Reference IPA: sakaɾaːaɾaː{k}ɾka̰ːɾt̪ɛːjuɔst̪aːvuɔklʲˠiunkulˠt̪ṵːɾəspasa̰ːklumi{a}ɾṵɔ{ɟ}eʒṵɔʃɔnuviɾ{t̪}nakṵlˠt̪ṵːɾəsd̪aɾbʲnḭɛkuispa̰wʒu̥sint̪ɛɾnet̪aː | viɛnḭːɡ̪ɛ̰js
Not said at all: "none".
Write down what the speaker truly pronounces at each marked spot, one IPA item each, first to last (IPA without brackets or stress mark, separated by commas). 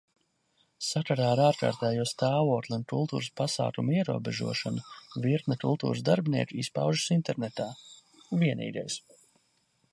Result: none, ɛ, b, t̪